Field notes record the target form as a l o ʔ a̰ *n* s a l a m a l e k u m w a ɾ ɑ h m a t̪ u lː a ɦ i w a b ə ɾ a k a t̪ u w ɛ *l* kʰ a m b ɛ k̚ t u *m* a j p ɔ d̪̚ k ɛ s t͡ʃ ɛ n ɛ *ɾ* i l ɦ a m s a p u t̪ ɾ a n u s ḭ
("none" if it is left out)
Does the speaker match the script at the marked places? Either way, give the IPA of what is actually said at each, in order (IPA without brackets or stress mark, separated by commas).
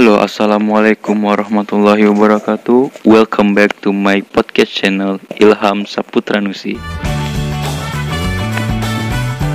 none, l, m, l